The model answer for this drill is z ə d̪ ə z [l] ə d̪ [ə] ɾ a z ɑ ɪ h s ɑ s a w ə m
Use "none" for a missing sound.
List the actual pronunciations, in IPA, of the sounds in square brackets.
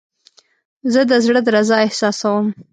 ɽ, ə

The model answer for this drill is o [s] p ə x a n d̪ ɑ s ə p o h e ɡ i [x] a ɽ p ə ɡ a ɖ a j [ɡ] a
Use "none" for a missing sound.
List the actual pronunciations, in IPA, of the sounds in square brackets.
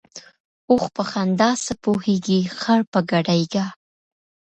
x, x, ɡ

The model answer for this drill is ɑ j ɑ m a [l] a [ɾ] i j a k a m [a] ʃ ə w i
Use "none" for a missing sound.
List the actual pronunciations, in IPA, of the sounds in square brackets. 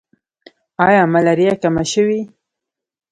l, ɾ, a

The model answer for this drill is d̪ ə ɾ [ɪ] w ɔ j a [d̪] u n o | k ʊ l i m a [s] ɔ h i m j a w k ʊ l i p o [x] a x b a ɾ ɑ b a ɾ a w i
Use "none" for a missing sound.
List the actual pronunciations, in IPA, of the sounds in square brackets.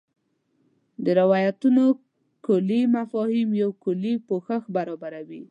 ɪ, t̪, f, x

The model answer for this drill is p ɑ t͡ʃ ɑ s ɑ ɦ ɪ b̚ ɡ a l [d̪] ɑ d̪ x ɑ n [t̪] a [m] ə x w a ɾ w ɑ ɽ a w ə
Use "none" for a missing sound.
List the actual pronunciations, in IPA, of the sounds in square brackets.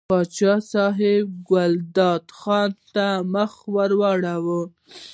d̪, t̪, m

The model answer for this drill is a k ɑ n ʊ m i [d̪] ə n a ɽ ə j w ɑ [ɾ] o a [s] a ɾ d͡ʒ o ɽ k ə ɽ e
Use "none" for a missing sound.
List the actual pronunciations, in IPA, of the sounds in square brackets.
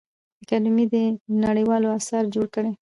d̪, l, s

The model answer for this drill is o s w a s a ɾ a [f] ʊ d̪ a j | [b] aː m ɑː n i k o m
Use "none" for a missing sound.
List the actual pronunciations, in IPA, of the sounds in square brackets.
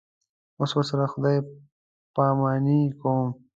x, p

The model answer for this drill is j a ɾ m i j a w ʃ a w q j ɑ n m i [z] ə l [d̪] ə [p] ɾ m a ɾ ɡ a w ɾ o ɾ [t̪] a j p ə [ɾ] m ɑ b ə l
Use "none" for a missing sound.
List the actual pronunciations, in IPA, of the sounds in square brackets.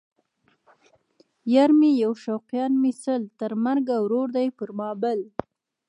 s, t̪, none, d̪, ɾ

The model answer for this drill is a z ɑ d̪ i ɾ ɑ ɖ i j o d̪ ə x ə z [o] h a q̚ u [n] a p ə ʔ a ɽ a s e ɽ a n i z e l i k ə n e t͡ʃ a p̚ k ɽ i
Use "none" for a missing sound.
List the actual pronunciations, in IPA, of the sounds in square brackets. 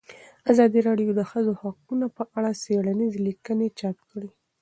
o, n

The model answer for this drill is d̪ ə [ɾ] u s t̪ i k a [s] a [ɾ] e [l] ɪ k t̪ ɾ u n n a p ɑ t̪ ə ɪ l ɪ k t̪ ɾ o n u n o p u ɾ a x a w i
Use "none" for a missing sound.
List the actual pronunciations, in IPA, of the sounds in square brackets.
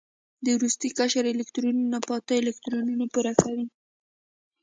ɾ, ʃ, ɾ, l

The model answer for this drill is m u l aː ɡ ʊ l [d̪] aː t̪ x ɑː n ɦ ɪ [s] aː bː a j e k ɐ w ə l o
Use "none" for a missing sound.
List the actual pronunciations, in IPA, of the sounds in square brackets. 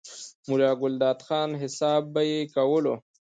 d̪, s

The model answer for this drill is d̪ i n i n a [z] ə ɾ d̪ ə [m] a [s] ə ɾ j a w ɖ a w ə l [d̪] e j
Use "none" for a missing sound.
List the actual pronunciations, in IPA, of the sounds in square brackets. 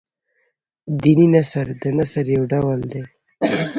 s, n, s, d̪

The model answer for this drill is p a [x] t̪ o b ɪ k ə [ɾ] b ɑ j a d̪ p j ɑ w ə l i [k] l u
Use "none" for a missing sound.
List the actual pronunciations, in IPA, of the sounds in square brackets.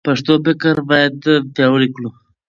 ʂ, ɾ, k

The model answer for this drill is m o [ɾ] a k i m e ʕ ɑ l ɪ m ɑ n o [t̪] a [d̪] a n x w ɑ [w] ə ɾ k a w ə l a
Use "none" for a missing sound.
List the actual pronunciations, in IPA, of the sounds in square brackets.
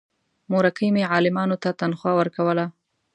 ɾ, t̪, t̪, w

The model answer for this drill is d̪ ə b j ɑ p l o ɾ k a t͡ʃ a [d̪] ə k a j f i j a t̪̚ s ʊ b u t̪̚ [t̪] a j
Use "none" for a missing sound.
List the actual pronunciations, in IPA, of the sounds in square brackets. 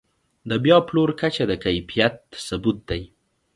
d̪, d̪

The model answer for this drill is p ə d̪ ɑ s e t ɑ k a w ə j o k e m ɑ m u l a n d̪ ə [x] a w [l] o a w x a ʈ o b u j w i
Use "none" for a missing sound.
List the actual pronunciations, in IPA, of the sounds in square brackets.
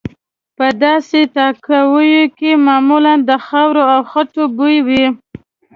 x, ɾ

